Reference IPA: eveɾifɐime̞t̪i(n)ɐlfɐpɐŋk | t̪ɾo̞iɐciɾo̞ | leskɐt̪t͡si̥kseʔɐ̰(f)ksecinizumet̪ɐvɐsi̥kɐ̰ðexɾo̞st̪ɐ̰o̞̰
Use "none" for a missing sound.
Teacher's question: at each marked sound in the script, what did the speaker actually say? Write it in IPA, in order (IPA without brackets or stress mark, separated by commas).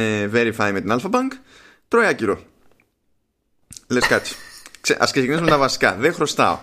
n, s